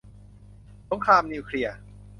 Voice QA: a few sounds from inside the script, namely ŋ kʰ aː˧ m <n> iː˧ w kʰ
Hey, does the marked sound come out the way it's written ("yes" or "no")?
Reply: yes